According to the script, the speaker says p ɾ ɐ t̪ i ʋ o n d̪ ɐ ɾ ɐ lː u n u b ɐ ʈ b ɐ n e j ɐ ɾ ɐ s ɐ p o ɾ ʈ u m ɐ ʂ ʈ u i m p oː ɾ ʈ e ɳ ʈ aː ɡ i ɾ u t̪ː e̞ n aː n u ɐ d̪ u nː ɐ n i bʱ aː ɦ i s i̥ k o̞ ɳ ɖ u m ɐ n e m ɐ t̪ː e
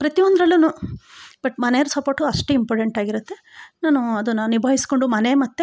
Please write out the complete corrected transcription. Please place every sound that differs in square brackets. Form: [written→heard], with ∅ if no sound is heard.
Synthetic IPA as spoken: p ɾ ɐ t̪ i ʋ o n d̪ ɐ ɾ ɐ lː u n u b ɐ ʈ [b→m] ɐ n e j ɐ ɾ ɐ s ɐ p o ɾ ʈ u [m→∅] ɐ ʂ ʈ u i m p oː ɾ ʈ e ɳ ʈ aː ɡ i ɾ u t̪ː e̞ n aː n u ɐ d̪ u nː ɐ n i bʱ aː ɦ i s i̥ k o̞ ɳ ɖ u m ɐ n e m ɐ t̪ː e

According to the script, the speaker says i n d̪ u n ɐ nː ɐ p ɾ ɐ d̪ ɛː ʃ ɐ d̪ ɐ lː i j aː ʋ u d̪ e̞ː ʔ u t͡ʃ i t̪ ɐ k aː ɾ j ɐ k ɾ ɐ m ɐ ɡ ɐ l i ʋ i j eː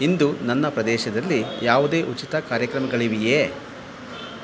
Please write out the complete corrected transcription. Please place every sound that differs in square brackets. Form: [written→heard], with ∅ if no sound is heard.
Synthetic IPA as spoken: i n d̪ u n ɐ nː ɐ p ɾ ɐ d̪ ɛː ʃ ɐ d̪ ɐ lː i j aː ʋ u d̪ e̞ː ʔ u t͡ʃ i t̪ ɐ k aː ɾ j ɐ k ɾ ɐ m ɐ ɡ ɐ [l→ɭ] i ʋ i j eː

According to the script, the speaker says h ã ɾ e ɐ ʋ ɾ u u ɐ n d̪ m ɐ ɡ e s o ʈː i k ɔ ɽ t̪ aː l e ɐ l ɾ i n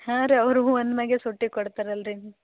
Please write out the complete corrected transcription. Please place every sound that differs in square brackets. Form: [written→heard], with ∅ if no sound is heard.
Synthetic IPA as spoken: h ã ɾ e ɐ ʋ ɾ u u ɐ n d̪ m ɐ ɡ e s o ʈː i k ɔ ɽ t̪ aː [l→ɾ] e ɐ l ɾ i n

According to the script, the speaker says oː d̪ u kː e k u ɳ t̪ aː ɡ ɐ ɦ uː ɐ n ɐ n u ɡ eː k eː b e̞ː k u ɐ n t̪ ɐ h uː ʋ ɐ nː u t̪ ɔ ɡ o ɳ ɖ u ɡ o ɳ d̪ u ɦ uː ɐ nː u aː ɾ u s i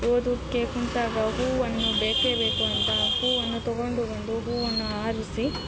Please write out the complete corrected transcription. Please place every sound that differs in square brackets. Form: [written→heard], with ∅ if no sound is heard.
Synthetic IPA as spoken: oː d̪ u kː e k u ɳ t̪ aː ɡ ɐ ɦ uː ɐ n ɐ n u [ɡ→b] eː k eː b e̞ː k u ɐ n t̪ ɐ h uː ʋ ɐ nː u t̪ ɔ ɡ o ɳ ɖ u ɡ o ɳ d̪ u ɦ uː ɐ nː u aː ɾ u s i

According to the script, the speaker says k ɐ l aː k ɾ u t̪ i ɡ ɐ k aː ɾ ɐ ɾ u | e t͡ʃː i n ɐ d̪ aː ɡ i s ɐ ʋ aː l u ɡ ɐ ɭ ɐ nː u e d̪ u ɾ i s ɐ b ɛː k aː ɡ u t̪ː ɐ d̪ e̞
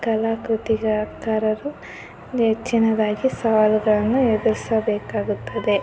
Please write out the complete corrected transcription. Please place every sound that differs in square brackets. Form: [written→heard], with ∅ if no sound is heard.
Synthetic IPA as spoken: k ɐ l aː k ɾ u t̪ i ɡ ɐ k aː ɾ ɐ ɾ u | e t͡ʃː i n ɐ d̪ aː ɡ i s ɐ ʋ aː l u ɡ ɐ ɭ ɐ nː u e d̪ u ɾ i s ɐ b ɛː k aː ɡ u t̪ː ɐ d̪ e̞

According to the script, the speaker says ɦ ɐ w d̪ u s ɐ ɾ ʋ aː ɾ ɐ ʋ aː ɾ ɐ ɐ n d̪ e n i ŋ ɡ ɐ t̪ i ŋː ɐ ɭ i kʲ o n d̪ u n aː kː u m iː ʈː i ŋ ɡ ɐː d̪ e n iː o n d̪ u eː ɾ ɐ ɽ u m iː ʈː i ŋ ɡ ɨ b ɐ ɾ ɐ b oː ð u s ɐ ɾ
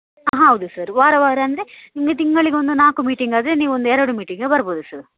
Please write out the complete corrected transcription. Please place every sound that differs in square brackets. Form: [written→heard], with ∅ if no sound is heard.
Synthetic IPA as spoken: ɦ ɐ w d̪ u s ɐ ɾ ʋ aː ɾ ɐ ʋ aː ɾ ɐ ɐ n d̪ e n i ŋ ɡ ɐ t̪ i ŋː ɐ ɭ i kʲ o n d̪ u n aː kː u m iː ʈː i ŋ ɡ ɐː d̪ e n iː o n d̪ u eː ɾ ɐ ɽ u m iː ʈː i ŋ ɡ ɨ b ɐ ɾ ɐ b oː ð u s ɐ ɾ

